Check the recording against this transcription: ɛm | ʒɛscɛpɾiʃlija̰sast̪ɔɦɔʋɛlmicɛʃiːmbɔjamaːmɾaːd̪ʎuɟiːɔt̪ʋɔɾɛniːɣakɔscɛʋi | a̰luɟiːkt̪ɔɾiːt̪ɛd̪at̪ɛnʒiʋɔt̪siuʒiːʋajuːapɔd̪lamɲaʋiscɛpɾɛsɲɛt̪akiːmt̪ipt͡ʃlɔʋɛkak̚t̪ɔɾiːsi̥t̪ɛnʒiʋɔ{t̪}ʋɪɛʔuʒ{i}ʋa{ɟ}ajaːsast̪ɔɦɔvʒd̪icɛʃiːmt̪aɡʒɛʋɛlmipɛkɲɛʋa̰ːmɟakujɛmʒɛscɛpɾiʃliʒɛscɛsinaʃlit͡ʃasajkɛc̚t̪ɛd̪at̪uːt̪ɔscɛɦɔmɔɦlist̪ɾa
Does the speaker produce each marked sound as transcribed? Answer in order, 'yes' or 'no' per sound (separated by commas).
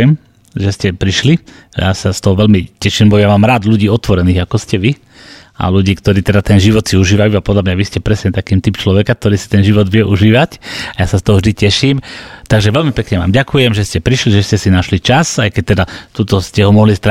no, no, no